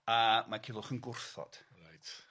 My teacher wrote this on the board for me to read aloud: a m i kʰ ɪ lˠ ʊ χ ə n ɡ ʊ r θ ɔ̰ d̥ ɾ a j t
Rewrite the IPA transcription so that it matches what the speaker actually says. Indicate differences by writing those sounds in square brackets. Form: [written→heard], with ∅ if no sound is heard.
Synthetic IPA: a m [i→a] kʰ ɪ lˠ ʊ χ ə n ɡ ʊ r θ ɔ̰ d̥ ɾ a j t